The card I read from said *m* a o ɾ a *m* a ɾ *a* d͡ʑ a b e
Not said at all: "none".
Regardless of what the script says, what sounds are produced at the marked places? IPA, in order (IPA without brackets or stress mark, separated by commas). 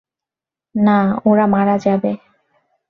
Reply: n, m, a